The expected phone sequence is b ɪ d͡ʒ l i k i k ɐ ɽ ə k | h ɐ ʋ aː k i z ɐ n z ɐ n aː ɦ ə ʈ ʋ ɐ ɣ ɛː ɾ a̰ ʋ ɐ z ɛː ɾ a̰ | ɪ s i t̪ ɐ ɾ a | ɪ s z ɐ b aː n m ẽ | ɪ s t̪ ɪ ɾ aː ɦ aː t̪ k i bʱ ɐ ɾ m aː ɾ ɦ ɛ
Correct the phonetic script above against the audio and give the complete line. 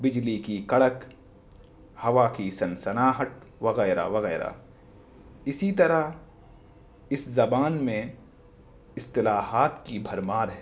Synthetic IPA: b ɪ d͡ʒ l i k i k ɐ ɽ ə k | h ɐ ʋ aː k i s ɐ n s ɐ n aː ɦ ə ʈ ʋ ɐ ɣ ɛː ɾ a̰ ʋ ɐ ɣ ɛː ɾ a̰ | ɪ s i t̪ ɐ ɾ a | ɪ s z ɐ b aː n m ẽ | ɪ s t̪ ɪ l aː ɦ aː t̪ k i bʱ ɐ ɾ m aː ɾ ɦ ɛ